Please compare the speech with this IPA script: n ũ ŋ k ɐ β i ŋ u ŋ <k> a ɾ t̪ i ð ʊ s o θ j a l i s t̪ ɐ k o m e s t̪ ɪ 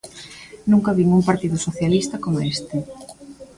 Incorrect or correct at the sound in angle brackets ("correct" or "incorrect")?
incorrect